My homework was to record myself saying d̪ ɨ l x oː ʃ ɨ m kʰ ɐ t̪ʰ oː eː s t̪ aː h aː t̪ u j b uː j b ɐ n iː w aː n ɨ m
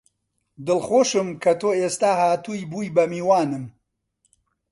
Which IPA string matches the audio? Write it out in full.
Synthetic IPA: d̪ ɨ l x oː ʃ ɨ m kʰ ɐ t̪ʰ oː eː s t̪ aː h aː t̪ u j b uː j b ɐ m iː w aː n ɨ m